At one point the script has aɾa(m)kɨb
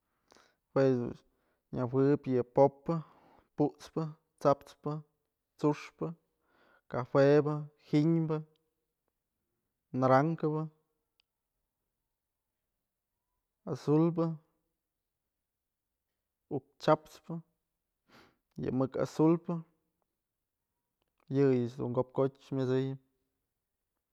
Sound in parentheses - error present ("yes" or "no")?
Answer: yes